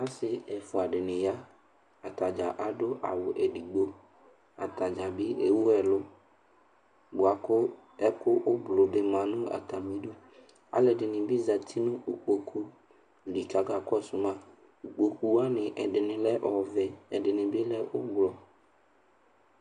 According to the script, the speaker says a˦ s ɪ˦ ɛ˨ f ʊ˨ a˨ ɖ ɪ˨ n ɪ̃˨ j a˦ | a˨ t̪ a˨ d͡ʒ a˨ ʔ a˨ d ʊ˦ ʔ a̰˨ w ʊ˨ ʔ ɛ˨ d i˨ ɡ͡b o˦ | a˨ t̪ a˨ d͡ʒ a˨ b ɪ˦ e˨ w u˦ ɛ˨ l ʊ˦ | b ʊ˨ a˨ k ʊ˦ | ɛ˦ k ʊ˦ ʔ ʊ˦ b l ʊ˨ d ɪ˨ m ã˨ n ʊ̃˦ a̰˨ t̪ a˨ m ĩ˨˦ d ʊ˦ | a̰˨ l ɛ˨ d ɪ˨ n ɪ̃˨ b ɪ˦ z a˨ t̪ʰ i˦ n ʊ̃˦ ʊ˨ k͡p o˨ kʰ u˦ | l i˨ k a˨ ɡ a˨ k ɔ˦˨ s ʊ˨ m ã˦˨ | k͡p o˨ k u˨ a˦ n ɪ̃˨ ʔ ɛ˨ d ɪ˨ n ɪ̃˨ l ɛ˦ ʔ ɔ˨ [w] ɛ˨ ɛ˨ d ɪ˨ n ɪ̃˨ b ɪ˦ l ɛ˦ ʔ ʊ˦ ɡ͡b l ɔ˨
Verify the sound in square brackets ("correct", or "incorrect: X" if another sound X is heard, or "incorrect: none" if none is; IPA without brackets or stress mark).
incorrect: v